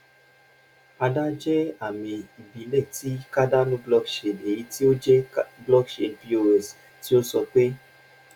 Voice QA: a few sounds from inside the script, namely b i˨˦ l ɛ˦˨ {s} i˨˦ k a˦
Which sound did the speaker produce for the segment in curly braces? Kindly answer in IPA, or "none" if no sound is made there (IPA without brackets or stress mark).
t